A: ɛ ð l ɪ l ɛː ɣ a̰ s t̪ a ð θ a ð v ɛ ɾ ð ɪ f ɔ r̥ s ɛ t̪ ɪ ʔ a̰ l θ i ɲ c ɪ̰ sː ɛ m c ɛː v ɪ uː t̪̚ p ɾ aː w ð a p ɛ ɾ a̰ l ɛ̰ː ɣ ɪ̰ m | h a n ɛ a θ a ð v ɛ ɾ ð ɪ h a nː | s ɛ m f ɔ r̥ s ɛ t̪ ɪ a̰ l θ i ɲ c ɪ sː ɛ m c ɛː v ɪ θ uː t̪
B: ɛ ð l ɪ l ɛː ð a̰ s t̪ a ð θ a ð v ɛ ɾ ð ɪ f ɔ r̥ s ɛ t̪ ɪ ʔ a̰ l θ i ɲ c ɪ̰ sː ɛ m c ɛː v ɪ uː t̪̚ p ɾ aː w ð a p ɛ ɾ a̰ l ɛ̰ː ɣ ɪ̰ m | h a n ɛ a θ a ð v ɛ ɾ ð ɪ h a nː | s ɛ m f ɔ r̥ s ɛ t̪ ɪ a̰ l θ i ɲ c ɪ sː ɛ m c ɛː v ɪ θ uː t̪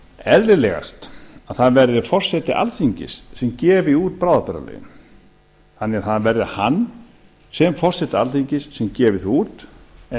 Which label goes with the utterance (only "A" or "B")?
A